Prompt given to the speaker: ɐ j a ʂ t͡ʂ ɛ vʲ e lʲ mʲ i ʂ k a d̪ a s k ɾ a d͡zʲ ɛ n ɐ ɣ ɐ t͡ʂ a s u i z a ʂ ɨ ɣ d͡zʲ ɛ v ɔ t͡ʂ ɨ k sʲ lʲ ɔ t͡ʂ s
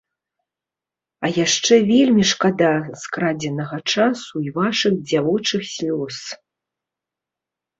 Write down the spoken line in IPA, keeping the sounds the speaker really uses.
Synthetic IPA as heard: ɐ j a ʂ t͡ʂ ɛ vʲ e lʲ mʲ i ʂ k a d̪ a s k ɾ a d͡zʲ ɛ n ɐ ɣ ɐ t͡ʂ a s u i v a ʂ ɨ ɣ d͡zʲ a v ɔ t͡ʂ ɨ x sʲ lʲ ɔ s